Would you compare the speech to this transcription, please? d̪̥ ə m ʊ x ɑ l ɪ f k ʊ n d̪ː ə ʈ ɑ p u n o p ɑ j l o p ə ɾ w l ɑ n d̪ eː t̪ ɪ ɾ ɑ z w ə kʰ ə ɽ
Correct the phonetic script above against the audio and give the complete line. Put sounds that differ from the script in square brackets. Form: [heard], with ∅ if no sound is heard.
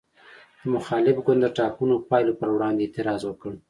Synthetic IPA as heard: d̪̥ ə m ʊ x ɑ l ɪ f [ɡ] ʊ n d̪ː ə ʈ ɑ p u n o p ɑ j l o p ə ɾ w [ɽ] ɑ n d̪ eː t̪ ɪ ɾ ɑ z w ə [k] ə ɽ